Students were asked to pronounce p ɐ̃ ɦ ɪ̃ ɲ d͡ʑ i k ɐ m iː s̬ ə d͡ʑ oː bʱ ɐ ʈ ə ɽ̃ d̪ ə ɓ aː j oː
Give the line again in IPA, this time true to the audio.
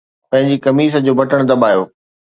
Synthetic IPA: p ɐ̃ ɦ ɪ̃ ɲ d͡ʑ i k ɐ m iː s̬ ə d͡ʑ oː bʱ ɐ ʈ ə ɽ̃ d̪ ɐ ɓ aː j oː